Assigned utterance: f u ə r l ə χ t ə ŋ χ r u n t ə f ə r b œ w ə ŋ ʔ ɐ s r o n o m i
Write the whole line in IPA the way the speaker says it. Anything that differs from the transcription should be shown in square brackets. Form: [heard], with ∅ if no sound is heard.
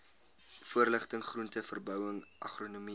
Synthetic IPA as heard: f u ə r l ə χ t ə ŋ χ r u n t ə f ə r b œ w ə ŋ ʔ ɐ [χ] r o n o m i